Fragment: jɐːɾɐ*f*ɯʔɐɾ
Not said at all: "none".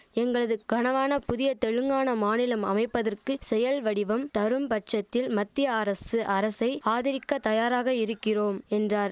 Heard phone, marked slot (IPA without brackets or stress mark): s